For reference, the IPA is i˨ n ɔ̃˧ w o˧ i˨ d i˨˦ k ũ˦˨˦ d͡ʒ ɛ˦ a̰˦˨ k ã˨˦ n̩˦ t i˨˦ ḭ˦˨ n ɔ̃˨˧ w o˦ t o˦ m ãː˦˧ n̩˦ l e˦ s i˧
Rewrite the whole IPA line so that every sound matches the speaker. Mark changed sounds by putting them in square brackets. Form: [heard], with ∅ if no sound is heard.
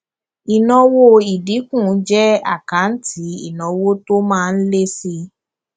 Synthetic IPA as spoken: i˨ n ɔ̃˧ w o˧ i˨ d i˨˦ k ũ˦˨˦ d͡ʒ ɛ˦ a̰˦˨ k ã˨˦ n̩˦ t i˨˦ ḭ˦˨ n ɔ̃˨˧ w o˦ t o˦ m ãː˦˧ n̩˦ l e˦ s i˧